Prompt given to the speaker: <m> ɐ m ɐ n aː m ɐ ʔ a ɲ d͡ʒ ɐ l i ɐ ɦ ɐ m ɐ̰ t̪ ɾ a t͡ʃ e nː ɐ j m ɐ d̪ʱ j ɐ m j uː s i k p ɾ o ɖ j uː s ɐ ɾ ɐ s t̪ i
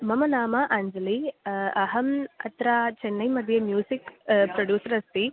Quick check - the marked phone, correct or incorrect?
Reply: correct